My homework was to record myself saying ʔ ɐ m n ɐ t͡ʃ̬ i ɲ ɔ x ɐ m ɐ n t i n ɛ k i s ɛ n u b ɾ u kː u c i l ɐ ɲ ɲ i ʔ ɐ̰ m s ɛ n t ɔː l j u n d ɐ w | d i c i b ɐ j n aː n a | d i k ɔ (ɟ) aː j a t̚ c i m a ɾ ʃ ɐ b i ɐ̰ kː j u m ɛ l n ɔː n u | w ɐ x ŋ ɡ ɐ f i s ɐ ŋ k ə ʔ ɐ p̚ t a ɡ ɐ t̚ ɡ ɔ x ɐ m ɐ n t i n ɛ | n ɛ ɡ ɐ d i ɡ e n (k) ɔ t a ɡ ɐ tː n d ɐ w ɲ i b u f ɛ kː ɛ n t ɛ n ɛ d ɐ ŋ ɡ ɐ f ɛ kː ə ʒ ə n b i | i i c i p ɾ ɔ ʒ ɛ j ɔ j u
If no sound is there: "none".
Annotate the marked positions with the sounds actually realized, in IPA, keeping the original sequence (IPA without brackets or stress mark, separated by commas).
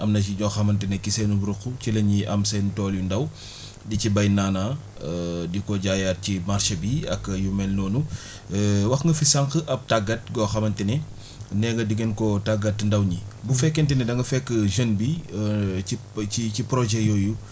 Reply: ɟ, k